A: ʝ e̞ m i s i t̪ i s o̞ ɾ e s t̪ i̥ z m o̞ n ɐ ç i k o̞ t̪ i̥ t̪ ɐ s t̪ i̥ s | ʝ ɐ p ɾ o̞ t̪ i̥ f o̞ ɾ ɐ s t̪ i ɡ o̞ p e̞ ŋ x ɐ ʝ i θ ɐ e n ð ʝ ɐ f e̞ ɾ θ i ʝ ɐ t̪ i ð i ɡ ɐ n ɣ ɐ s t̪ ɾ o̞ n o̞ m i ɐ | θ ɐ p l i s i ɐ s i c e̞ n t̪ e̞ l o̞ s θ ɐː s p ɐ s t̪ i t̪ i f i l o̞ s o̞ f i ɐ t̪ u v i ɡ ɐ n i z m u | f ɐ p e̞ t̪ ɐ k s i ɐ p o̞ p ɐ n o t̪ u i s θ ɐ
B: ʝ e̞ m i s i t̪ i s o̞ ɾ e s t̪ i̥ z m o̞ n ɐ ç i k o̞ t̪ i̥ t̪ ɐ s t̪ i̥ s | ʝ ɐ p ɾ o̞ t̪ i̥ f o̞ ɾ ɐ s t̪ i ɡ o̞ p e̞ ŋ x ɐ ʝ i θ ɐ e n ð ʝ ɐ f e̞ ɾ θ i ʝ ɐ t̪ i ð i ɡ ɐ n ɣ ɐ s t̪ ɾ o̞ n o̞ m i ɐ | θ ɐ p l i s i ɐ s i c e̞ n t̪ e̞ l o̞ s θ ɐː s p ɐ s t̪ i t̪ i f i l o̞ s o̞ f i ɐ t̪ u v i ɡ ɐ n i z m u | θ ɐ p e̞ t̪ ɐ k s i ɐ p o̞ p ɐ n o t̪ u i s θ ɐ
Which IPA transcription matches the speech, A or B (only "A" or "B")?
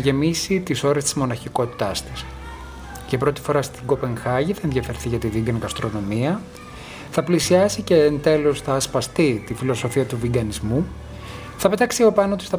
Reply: B